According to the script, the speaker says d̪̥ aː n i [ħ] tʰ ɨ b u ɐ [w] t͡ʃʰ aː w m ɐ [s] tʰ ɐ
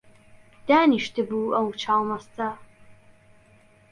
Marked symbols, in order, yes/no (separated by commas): no, yes, yes